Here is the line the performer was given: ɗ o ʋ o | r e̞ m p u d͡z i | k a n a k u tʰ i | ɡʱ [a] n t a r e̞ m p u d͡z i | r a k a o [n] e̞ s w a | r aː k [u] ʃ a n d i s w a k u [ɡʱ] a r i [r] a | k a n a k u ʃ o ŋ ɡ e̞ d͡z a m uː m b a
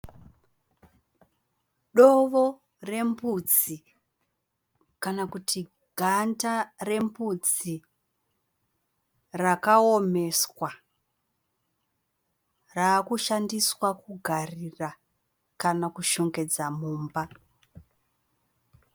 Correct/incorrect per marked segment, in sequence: correct, incorrect: m, correct, correct, correct

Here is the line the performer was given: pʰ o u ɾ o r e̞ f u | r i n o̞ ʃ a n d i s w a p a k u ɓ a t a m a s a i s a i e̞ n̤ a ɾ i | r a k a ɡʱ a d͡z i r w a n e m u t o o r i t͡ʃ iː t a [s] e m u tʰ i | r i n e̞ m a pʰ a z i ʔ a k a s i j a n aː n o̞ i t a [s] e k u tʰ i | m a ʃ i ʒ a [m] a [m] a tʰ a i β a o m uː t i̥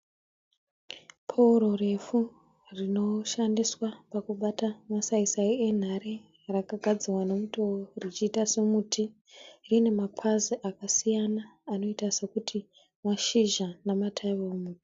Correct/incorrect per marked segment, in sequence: correct, correct, incorrect: n, correct

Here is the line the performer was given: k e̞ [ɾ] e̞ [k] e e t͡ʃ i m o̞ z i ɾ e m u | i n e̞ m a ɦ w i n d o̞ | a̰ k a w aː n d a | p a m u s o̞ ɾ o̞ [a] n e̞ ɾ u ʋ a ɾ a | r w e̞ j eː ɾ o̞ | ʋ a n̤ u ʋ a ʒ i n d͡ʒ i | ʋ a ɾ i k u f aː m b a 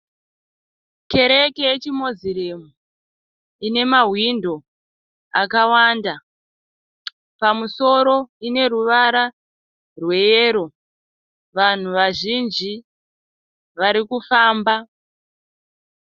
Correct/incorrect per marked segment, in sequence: correct, correct, incorrect: i

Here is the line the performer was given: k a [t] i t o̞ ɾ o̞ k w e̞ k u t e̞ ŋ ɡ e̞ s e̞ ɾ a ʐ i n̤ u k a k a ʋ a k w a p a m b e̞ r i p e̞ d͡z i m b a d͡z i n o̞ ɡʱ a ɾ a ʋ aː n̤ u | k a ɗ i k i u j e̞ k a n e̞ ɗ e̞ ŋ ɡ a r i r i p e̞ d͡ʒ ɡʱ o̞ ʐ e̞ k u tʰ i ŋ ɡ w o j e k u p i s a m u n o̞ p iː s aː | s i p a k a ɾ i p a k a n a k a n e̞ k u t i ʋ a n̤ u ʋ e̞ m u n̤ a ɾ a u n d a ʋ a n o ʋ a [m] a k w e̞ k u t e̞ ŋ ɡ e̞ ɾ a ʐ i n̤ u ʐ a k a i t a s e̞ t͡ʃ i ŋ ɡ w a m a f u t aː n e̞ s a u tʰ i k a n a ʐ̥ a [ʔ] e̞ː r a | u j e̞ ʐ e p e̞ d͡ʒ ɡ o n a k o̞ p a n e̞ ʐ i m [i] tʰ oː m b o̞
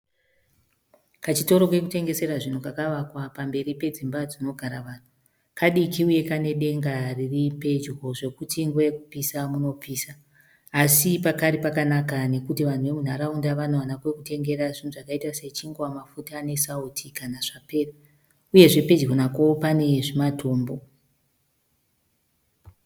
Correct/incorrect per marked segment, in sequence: incorrect: t͡ʃ, incorrect: n, incorrect: p, incorrect: a

